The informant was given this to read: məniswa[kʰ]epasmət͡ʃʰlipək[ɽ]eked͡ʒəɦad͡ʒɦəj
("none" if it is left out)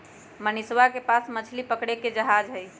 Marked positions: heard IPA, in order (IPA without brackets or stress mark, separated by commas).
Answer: k, ɽ